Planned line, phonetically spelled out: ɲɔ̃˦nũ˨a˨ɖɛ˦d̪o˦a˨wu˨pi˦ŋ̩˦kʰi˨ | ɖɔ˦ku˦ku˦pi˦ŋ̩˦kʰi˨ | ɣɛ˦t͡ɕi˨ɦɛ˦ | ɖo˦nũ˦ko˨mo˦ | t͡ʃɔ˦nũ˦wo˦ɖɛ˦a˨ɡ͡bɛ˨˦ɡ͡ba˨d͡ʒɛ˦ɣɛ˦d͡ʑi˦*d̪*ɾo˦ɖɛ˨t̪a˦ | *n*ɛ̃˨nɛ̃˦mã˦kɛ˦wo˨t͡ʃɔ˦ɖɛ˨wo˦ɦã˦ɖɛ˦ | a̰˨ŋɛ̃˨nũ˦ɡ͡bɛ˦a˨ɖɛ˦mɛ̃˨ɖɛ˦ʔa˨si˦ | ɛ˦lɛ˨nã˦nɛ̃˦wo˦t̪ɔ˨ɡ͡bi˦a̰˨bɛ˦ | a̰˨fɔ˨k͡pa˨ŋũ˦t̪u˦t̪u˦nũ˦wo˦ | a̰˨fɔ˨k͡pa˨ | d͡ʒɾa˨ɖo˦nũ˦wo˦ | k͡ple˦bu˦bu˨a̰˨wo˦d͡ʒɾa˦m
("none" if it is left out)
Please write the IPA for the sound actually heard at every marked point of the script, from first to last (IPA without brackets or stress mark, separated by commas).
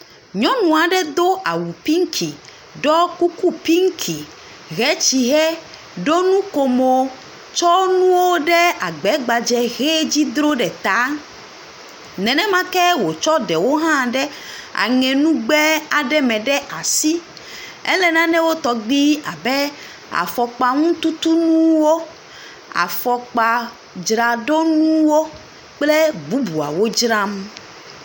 d̪, n